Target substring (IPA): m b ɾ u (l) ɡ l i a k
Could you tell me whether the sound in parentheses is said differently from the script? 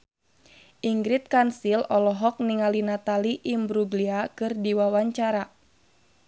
yes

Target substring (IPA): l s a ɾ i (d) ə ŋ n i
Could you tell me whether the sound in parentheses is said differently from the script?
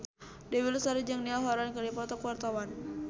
yes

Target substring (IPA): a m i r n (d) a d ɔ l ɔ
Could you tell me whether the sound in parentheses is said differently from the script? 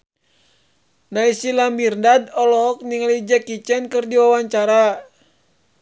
no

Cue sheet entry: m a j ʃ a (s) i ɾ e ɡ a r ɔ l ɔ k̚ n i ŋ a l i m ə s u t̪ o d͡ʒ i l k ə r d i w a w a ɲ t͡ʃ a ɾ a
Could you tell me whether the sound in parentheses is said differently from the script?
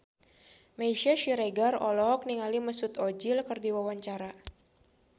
yes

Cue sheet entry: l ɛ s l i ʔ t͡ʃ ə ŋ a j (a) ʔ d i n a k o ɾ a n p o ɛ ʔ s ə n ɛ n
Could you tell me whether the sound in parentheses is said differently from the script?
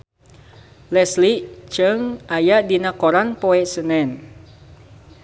no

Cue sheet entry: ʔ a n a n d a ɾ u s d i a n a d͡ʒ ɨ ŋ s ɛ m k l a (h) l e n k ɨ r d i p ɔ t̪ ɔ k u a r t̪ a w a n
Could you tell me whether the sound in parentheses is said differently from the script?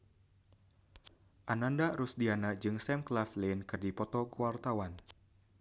yes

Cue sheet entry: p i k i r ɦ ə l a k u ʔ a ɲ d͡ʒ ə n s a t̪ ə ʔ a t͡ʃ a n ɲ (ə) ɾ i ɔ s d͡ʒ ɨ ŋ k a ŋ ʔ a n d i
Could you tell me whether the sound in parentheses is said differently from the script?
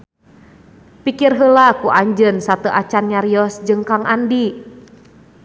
yes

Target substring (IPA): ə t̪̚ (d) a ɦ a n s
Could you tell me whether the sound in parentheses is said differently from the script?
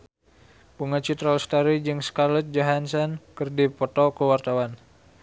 yes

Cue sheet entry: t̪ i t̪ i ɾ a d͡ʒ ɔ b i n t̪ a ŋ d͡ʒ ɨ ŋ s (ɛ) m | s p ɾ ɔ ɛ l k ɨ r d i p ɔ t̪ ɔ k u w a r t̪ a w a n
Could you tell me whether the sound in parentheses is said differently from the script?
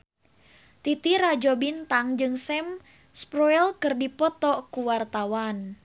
no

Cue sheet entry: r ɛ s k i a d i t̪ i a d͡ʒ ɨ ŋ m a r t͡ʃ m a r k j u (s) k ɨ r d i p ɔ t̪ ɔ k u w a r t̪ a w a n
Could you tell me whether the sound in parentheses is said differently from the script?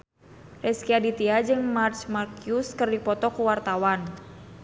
no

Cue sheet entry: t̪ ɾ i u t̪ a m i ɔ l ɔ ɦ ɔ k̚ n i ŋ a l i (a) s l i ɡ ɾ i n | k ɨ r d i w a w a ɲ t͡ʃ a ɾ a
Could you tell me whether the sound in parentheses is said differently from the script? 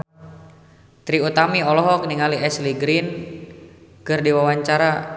yes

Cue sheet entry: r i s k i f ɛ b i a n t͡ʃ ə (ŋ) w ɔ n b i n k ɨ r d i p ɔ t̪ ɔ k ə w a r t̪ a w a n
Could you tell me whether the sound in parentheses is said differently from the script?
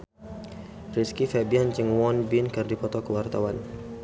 no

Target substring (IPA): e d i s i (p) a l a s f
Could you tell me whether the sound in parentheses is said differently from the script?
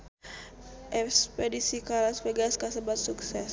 yes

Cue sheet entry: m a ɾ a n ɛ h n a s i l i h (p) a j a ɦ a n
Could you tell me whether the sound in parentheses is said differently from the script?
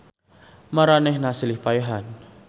no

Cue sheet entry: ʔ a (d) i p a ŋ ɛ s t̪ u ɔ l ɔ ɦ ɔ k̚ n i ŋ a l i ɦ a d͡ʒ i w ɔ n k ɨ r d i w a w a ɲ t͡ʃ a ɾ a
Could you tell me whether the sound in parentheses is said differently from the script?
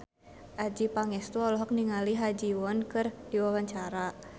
yes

